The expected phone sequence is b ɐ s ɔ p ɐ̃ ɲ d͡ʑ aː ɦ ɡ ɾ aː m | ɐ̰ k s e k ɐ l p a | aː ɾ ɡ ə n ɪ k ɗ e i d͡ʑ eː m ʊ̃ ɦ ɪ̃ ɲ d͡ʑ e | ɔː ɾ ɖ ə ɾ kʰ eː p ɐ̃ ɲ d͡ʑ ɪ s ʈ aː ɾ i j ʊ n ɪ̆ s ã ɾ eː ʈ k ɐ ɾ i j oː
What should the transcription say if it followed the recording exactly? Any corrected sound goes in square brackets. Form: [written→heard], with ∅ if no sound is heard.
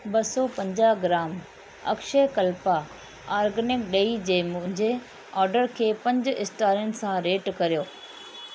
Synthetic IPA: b ɐ s ɔ p ɐ̃ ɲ d͡ʑ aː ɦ ɡ ɾ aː m | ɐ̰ k [s→ʃ] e k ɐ l p a | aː ɾ ɡ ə n ɪ k ɗ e i d͡ʑ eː m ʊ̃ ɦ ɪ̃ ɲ d͡ʑ e | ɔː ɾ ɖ ə ɾ kʰ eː p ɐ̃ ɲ d͡ʑ ɪ s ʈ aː ɾ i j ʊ n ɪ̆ s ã ɾ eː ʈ k ɐ ɾ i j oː